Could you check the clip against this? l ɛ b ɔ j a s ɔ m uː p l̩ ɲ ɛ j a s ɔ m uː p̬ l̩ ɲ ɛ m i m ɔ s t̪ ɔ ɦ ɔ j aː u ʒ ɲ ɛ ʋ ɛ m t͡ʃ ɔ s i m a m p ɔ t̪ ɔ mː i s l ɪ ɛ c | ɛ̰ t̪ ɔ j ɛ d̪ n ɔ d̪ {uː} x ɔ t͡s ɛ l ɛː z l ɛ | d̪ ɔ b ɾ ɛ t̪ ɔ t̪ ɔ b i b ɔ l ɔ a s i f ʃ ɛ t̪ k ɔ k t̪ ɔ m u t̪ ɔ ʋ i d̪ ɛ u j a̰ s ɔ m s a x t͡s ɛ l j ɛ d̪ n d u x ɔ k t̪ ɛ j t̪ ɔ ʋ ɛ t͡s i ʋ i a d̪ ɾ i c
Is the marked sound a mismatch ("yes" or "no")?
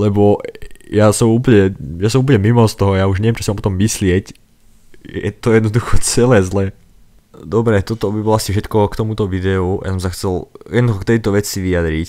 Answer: yes